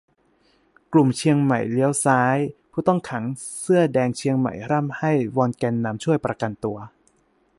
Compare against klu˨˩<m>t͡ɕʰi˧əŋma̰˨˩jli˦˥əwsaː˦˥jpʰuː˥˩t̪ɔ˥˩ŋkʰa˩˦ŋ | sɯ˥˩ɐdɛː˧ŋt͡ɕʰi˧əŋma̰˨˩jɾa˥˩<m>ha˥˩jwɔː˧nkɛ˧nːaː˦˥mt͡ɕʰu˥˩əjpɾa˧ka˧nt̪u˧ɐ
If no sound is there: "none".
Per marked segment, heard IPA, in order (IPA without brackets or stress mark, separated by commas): m, m